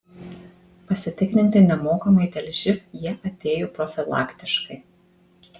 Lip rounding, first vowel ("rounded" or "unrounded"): unrounded